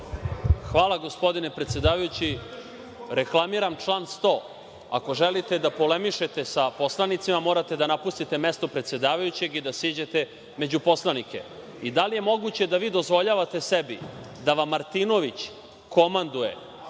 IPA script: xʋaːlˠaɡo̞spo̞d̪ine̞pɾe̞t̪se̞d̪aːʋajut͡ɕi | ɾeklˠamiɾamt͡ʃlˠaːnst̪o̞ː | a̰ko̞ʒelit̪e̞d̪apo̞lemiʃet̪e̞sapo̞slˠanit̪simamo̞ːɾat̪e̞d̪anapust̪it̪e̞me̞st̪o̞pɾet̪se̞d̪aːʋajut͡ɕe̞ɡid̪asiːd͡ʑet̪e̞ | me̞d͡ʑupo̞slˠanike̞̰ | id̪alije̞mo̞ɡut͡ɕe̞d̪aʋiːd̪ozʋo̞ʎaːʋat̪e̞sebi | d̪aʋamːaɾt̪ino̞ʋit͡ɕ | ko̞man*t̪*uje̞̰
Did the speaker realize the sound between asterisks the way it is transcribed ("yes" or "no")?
no